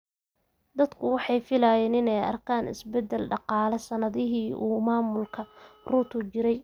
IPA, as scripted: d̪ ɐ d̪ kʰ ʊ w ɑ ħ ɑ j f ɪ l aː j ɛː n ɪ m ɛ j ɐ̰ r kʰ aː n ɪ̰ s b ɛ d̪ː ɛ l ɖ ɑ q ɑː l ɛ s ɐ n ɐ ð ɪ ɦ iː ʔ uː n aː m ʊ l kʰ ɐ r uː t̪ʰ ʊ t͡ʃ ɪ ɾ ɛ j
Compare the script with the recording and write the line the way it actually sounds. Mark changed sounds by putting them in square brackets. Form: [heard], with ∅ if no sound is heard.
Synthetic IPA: d̪ ɐ d̪ kʰ ʊ w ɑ ħ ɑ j f ɪ l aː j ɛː n ɪ [n] ɛ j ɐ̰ r kʰ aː n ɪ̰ s b ɛ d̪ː ɛ l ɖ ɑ q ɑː l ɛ s ɐ n ɐ ð ɪ ɦ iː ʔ uː [m] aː m ʊ l kʰ ɐ r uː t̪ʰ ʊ t͡ʃ ɪ ɾ ɛ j